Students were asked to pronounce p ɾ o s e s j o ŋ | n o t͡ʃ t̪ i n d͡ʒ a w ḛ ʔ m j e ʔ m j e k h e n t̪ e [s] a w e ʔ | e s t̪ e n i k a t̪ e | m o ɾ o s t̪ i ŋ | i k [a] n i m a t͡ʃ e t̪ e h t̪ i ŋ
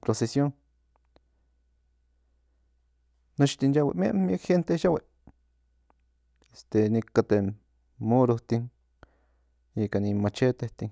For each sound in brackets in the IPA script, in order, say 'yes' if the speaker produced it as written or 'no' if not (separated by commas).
no, yes